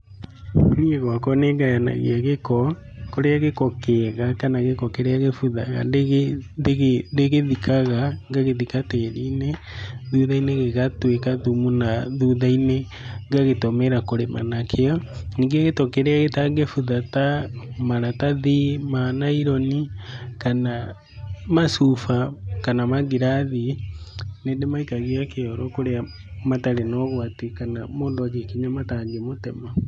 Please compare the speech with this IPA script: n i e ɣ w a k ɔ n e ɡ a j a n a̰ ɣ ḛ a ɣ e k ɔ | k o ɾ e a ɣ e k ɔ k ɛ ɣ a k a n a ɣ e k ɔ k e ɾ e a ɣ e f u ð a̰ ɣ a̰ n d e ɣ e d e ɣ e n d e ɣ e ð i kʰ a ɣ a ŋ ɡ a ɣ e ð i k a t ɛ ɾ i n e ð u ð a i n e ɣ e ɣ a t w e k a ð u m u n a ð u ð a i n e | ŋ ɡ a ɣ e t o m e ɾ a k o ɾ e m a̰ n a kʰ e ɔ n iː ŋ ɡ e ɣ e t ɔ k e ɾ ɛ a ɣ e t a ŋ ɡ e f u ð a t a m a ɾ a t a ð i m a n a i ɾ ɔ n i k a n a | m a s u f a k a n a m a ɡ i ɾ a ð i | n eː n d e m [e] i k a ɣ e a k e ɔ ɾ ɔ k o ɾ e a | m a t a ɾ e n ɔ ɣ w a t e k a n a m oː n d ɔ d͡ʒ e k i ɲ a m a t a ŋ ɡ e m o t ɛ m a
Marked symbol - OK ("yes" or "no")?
no